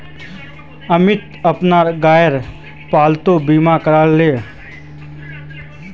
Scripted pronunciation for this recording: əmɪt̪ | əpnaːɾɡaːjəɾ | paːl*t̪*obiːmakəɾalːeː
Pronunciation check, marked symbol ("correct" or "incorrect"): correct